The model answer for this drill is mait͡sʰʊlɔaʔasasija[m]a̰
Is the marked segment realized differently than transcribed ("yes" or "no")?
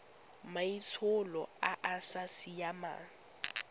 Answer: no